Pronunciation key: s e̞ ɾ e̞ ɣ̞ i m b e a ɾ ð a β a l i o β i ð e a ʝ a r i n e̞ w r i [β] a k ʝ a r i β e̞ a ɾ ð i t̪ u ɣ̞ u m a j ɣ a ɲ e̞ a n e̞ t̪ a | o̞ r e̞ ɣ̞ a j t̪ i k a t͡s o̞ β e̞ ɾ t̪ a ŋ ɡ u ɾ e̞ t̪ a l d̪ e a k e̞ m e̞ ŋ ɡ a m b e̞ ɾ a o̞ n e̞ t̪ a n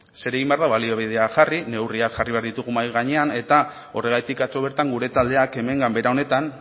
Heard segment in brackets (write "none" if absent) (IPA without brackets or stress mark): none